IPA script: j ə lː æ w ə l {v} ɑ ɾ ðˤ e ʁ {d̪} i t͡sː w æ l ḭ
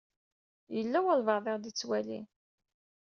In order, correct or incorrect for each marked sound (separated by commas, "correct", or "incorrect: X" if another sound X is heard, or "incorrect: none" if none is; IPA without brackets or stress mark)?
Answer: correct, correct